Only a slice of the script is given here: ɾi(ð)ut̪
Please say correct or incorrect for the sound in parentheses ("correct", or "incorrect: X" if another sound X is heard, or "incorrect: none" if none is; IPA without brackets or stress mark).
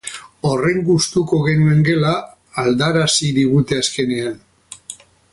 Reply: incorrect: ɣ